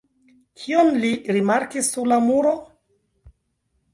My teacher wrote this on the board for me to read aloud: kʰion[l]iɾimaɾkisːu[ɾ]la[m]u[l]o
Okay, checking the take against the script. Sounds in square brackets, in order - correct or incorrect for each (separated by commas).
correct, correct, correct, incorrect